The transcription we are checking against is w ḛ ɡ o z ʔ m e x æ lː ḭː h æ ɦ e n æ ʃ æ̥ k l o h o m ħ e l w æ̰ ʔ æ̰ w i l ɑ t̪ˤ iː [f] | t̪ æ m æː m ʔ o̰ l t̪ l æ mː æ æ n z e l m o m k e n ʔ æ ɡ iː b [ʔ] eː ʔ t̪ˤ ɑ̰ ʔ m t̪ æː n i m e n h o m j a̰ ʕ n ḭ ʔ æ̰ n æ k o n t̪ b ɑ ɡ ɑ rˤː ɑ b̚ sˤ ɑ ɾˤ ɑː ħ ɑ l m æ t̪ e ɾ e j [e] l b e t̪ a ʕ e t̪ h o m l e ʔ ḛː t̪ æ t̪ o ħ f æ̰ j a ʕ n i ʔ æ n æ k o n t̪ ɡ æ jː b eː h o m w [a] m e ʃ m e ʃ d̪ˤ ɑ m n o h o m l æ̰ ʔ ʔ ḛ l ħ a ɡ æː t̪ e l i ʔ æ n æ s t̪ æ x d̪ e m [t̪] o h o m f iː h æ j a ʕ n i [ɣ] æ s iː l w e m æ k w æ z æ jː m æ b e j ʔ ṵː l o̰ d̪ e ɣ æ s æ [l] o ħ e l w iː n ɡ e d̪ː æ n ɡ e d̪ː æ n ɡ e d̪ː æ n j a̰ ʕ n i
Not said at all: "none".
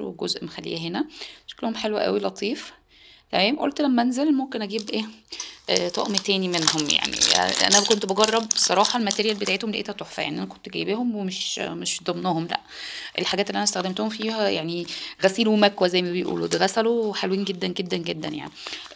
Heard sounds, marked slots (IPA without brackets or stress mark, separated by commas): f, ʔ, æ, e, t̪, ɣ, l